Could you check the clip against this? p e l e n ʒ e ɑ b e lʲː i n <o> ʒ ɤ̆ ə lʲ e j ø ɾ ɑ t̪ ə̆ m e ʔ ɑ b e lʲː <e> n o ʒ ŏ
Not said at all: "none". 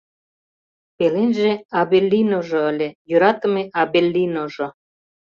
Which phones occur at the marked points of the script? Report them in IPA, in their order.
o, i

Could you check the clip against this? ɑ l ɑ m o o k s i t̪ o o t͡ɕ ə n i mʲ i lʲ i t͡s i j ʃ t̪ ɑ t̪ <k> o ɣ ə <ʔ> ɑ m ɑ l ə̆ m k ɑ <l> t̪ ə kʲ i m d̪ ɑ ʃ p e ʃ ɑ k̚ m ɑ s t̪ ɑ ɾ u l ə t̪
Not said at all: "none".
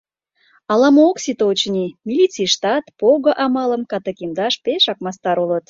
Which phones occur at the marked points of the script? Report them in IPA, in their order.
p, ʔ, none

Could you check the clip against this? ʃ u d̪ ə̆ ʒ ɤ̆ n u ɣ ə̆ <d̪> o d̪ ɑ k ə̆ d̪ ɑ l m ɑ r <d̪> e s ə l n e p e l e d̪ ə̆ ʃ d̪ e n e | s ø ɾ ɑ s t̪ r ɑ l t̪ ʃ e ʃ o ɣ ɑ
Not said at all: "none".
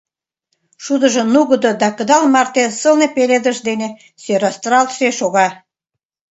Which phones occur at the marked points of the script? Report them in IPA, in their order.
d̪, t̪

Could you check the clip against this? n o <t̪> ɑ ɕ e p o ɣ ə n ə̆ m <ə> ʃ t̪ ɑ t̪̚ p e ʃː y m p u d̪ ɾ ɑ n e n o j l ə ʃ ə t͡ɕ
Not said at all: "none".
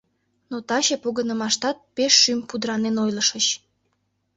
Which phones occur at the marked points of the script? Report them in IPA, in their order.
t̪, ɑ

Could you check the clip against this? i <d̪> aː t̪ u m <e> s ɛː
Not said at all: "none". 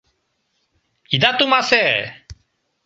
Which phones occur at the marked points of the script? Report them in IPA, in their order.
d̪, a

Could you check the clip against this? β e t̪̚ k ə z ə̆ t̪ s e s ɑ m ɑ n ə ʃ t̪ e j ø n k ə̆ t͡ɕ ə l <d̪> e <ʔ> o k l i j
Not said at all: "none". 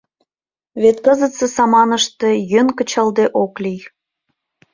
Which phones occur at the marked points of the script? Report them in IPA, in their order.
d̪, ʔ

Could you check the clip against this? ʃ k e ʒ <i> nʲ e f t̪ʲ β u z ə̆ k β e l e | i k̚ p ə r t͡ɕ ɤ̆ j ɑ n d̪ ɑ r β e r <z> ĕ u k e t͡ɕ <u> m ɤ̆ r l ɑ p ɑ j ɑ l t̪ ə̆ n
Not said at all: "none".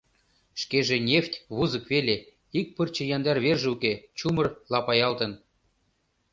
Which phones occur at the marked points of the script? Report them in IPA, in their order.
e, ʒ, u

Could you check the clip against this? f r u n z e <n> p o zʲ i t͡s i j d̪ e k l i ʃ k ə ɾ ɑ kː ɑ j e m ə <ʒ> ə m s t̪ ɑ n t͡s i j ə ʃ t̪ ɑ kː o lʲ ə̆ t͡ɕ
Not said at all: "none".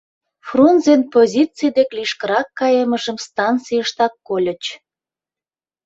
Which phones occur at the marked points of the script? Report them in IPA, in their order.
n, ʒ

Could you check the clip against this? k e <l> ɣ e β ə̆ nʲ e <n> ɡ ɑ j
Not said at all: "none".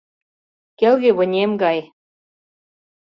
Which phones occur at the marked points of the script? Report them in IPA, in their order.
l, m

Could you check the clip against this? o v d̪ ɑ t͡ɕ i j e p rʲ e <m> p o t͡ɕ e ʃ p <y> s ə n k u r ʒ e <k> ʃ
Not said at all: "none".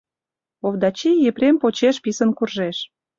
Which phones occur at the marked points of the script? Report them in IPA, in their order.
m, i, none

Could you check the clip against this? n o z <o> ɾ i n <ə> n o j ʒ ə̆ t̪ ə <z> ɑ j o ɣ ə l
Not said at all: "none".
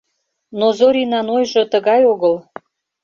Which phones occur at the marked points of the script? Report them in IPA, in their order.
o, ɑ, ɣ

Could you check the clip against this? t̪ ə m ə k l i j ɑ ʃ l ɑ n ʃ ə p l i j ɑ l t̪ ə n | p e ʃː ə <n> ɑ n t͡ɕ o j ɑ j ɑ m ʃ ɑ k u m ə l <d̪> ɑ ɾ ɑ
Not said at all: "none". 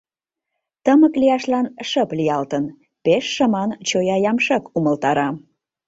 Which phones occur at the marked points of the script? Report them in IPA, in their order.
m, t̪

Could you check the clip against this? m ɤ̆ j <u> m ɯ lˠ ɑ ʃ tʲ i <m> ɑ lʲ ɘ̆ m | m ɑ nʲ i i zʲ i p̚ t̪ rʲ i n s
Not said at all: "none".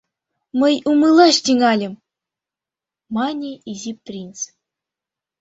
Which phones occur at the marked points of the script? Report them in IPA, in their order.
u, ŋ

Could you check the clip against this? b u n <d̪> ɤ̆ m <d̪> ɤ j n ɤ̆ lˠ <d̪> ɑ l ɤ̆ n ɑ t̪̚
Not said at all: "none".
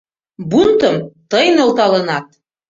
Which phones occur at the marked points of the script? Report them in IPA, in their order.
t̪, t̪, t̪

